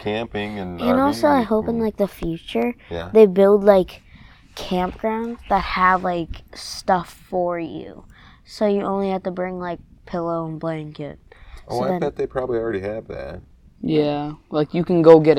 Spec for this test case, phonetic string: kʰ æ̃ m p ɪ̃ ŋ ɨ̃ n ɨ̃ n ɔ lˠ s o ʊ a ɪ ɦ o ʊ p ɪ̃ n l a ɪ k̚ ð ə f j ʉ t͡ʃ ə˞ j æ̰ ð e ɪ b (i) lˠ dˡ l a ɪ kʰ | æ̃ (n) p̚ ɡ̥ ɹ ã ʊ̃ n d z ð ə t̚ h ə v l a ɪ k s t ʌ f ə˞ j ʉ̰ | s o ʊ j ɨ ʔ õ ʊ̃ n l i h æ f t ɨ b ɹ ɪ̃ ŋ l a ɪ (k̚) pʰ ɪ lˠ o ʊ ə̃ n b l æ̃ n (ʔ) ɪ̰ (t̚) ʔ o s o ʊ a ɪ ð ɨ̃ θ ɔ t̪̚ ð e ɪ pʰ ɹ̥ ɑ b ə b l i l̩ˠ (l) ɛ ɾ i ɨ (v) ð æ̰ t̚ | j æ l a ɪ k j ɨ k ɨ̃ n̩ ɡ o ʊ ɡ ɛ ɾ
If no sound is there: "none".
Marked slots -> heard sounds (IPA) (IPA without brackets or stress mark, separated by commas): ɪ, m, k̚, k, t̚, ɹ, v